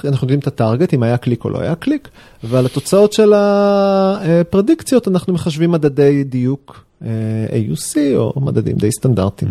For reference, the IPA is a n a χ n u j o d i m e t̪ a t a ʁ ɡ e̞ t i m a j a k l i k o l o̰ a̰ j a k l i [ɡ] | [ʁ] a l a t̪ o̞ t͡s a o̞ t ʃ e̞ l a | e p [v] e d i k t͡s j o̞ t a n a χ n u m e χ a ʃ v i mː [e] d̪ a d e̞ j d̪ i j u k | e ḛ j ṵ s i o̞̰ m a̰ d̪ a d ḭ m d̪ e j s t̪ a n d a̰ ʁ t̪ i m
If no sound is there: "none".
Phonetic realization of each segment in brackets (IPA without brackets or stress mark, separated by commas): k, v, ʁ, a